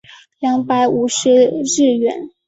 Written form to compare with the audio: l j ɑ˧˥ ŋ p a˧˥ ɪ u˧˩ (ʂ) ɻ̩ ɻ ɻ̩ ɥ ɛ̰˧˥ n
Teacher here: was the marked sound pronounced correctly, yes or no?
yes